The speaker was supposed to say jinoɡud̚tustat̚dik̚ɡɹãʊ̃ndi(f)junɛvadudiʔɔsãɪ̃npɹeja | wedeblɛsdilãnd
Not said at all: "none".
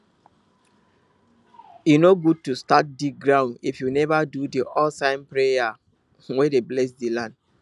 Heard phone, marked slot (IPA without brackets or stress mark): f